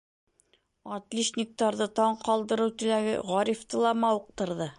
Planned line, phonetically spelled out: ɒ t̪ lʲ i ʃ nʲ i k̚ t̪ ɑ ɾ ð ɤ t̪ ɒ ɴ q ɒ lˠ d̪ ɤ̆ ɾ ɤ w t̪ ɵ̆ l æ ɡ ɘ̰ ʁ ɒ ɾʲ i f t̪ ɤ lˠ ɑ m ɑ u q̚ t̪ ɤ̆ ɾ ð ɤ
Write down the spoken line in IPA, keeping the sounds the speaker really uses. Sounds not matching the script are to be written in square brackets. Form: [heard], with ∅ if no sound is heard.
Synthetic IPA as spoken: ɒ t̪ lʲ i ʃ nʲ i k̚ t̪ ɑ ɾ ð ɤ t̪ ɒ ɴ q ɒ lˠ d̪ ɤ̆ ɾ ɤ w t̪ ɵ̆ l æ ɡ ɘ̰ ʁ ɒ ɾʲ i f t̪ ɤ lˠ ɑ m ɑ u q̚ t̪ ɤ̆ ɾ ð ɤ